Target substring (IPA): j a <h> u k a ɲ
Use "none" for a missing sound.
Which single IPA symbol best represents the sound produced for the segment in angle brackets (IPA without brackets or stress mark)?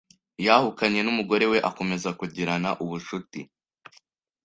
h